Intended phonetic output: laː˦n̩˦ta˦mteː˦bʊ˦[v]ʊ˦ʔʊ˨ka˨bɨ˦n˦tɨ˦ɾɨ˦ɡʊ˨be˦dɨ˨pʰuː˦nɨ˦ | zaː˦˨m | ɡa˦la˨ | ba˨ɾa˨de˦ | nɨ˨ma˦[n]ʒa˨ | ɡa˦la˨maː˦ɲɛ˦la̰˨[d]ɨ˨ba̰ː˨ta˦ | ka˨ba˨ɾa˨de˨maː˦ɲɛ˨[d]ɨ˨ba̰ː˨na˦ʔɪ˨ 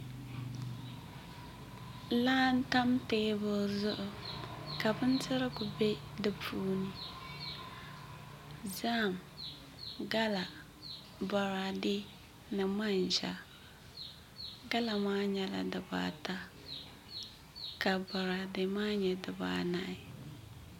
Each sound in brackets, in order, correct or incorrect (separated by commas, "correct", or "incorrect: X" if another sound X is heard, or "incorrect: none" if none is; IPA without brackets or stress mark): incorrect: z, correct, correct, correct